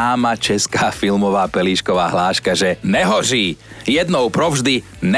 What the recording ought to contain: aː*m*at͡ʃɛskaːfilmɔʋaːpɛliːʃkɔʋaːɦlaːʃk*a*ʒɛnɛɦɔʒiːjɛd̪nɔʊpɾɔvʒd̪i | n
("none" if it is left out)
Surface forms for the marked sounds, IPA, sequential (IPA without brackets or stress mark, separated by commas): m, a